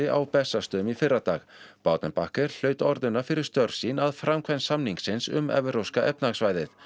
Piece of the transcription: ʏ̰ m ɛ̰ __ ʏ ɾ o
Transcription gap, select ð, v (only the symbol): v